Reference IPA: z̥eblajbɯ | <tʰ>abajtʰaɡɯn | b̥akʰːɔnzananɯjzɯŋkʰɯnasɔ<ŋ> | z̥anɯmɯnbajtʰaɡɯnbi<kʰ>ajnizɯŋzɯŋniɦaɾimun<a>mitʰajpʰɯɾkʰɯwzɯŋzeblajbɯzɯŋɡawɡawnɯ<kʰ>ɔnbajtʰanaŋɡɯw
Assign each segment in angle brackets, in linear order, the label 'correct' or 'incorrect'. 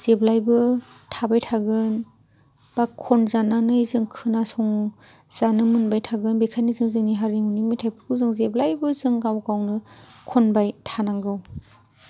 correct, correct, correct, incorrect, correct

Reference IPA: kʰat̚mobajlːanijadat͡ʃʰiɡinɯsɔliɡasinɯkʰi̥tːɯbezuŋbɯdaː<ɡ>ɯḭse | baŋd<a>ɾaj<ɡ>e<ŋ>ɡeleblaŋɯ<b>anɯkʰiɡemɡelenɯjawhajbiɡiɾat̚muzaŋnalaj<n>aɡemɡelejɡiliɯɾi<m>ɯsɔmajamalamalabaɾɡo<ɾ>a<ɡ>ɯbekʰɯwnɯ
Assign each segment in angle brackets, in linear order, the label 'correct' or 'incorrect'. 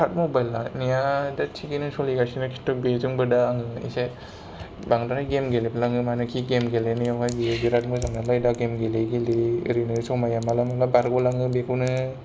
incorrect, correct, correct, incorrect, incorrect, incorrect, incorrect, incorrect, incorrect

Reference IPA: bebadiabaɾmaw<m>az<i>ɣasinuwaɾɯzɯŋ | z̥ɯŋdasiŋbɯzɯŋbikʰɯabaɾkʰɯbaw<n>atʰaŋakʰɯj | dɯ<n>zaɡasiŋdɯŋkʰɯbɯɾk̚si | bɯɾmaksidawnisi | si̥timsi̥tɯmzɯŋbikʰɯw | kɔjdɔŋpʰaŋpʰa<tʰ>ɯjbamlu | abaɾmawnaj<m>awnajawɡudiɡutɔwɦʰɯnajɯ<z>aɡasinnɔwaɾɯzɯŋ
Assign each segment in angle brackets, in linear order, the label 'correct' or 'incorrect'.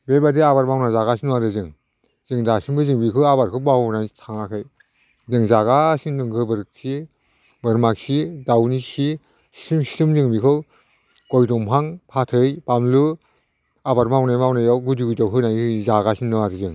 incorrect, incorrect, correct, incorrect, correct, correct, correct

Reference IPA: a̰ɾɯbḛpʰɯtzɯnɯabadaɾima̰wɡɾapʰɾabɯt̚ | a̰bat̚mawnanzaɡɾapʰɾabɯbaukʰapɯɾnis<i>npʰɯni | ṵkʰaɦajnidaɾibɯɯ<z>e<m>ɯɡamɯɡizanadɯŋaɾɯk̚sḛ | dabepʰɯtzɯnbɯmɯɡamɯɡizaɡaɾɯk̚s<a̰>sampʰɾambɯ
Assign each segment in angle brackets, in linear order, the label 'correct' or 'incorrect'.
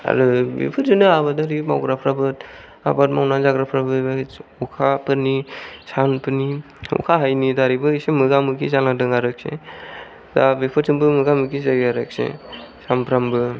incorrect, incorrect, correct, incorrect

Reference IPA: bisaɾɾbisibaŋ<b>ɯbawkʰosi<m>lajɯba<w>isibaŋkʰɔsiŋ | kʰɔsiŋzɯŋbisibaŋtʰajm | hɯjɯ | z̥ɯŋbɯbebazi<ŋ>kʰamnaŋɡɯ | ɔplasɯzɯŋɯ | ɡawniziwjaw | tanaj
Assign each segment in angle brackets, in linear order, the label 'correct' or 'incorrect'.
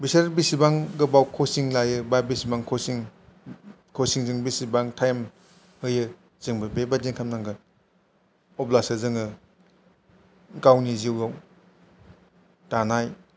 incorrect, incorrect, incorrect, correct

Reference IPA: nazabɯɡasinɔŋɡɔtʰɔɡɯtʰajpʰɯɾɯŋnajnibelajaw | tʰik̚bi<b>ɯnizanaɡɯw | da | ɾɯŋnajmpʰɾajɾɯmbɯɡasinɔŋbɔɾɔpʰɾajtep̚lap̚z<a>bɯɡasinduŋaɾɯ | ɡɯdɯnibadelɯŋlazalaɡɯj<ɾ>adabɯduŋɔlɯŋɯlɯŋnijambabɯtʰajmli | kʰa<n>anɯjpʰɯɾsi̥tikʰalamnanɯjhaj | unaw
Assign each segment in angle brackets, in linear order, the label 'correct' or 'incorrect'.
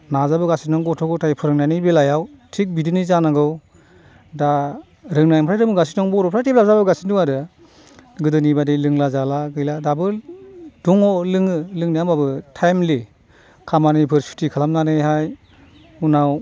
incorrect, correct, incorrect, incorrect

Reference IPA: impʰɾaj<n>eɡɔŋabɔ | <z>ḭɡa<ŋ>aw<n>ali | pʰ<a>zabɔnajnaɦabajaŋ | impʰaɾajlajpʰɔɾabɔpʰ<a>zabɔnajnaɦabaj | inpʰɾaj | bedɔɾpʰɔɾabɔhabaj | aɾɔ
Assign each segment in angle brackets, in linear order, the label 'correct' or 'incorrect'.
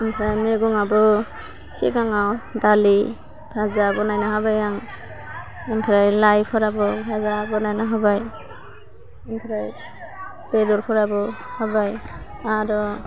incorrect, incorrect, correct, incorrect, correct, correct

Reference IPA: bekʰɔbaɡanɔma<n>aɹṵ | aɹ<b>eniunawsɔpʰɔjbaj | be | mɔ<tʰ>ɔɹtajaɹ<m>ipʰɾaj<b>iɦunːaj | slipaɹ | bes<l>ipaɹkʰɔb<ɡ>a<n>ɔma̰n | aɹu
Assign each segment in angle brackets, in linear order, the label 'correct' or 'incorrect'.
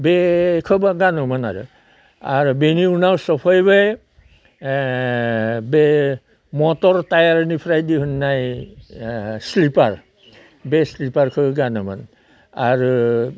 correct, correct, incorrect, incorrect, incorrect, correct, correct, correct

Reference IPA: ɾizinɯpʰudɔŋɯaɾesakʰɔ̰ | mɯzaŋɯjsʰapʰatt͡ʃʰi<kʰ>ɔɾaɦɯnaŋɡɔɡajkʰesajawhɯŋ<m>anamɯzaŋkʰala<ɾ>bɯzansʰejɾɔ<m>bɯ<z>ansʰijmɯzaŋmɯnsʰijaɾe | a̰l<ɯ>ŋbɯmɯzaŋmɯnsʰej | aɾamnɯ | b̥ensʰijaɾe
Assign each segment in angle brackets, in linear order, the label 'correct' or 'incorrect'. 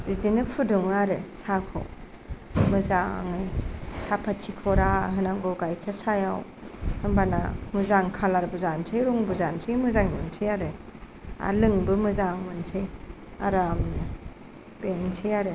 correct, incorrect, correct, incorrect, correct, correct

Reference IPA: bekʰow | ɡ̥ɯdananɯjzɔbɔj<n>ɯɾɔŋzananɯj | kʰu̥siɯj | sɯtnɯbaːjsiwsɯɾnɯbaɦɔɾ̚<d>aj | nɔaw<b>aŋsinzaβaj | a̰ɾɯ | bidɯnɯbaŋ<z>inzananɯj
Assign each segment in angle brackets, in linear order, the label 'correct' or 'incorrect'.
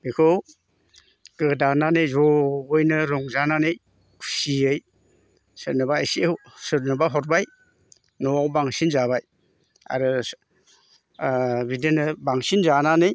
correct, incorrect, correct, incorrect

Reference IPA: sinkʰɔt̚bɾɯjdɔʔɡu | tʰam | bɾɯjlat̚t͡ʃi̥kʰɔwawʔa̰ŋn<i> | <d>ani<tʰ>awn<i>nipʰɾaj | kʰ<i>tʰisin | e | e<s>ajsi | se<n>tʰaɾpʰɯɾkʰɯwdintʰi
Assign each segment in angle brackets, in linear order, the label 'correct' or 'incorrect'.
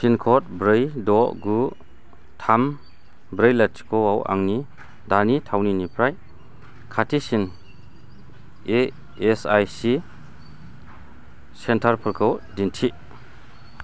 correct, correct, correct, correct, incorrect, correct, correct

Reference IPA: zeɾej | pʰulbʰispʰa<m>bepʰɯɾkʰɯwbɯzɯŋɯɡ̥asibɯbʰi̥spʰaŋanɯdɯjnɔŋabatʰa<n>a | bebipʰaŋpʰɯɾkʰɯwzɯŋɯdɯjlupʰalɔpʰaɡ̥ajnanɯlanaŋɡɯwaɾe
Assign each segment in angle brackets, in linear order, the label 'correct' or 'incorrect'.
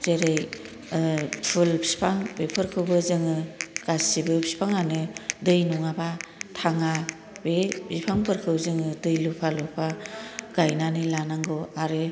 incorrect, incorrect

